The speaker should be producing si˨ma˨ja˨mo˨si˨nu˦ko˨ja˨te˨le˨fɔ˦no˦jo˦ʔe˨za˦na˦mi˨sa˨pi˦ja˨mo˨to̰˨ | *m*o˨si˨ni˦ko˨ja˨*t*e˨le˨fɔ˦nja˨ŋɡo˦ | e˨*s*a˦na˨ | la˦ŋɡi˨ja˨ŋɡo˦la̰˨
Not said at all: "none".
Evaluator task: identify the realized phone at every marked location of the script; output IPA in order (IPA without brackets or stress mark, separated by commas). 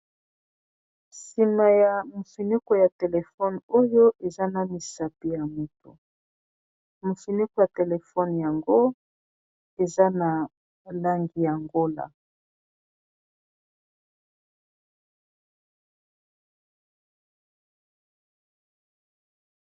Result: m, t, z